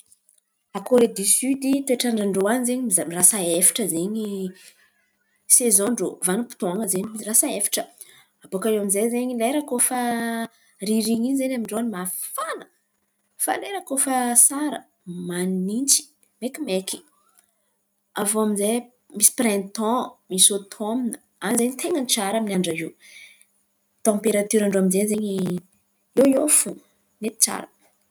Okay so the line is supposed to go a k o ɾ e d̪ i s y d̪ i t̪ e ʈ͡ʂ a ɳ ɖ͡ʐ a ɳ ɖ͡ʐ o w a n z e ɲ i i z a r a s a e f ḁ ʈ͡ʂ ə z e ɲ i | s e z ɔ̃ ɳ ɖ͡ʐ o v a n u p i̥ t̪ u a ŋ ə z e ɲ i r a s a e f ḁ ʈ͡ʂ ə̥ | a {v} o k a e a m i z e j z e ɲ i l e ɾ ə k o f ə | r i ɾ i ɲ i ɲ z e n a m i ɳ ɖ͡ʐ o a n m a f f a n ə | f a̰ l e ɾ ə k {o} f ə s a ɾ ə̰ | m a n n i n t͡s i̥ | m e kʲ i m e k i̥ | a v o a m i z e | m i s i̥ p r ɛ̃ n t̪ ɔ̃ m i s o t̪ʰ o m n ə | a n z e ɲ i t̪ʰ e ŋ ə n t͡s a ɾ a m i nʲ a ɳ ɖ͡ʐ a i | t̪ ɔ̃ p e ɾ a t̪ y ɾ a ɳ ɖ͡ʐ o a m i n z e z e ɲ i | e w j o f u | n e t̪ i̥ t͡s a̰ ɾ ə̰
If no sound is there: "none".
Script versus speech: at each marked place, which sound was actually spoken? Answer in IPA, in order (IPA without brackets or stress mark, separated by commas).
b, o